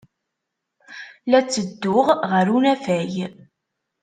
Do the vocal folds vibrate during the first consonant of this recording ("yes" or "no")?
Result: yes